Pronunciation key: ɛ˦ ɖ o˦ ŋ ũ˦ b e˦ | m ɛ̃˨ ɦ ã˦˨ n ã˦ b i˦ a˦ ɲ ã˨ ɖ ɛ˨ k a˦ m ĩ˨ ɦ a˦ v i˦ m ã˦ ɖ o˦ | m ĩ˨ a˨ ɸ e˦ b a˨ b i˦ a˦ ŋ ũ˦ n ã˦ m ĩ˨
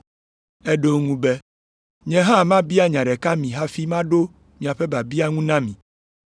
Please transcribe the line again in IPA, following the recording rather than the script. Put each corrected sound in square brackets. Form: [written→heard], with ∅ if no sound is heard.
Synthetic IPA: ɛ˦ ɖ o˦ ŋ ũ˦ b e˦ | [m→ɲ] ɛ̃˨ ɦ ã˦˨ [n→m] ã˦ b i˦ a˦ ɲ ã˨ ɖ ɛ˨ k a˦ m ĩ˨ ɦ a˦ [v→f] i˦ m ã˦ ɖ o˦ | m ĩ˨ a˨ ɸ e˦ b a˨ b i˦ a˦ ŋ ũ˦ n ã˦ m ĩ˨